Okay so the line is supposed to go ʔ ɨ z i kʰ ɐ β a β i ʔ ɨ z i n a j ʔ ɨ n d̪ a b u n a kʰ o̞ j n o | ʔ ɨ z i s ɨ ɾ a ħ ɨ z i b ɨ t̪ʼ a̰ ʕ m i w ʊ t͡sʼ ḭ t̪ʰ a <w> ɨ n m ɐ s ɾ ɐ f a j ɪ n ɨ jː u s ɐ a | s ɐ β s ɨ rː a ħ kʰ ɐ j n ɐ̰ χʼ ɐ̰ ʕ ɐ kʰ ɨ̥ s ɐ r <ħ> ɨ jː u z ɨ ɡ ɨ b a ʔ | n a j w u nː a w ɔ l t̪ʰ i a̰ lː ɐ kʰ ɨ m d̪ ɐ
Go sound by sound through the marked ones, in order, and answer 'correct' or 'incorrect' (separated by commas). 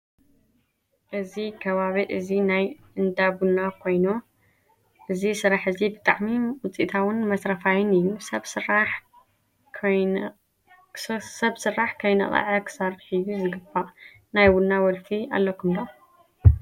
correct, correct